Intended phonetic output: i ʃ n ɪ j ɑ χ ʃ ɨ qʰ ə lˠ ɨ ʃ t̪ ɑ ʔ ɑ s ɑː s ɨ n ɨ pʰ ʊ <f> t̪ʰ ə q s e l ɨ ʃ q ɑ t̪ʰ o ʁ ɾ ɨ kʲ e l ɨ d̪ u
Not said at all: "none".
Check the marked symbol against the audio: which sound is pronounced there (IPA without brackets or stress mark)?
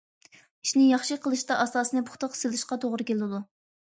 χ